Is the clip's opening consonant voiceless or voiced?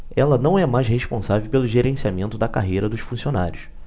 voiced